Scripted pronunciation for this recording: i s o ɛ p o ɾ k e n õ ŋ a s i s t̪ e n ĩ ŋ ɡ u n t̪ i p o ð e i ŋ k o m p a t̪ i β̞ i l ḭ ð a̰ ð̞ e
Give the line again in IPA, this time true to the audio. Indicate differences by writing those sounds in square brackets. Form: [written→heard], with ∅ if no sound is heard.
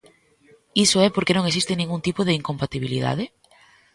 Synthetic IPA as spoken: i s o ɛ p o ɾ k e n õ ŋ [a→e] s i s t̪ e n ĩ ŋ ɡ u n t̪ i p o ð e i ŋ k o m p a t̪ i β̞ i l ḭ ð a̰ ð̞ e